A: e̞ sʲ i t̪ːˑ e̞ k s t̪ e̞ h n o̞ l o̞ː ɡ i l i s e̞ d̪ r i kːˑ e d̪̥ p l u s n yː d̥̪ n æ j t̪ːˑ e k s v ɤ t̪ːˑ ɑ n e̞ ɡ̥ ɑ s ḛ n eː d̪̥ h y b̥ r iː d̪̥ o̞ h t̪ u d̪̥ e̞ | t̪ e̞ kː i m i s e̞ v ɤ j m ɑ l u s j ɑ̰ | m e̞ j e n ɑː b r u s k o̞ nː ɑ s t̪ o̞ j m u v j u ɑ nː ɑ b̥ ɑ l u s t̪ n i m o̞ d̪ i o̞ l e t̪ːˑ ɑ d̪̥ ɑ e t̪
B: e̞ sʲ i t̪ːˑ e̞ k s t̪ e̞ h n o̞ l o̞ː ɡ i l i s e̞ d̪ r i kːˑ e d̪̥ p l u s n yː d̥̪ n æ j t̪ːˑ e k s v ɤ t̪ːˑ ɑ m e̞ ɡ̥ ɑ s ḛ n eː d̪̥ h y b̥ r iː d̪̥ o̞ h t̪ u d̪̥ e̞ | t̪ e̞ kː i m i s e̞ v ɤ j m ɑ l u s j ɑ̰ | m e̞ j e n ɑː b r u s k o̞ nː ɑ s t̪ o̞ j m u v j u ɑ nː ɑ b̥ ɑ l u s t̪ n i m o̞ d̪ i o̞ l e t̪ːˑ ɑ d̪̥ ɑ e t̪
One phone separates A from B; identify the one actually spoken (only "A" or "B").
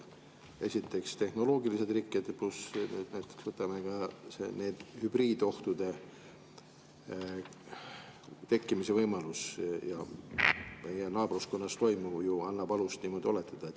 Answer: B